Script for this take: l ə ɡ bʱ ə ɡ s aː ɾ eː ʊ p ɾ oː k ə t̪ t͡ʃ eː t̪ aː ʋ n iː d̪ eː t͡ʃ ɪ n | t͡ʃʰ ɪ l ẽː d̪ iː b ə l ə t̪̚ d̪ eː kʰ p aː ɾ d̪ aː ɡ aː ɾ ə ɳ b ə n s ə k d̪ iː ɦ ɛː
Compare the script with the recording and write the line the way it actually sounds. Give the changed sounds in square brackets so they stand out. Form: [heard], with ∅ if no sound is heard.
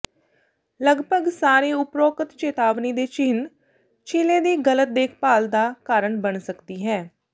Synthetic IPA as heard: l ə ɡ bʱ ə ɡ s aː ɾ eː ʊ p ɾ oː k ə t̪ t͡ʃ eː t̪ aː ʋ n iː d̪ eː t͡ʃ ɪ n | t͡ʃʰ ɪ l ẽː d̪ iː [ɡ] ə l ə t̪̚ d̪ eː kʰ p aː [l] d̪ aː [k] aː ɾ ə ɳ b ə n s ə k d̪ iː ɦ ɛː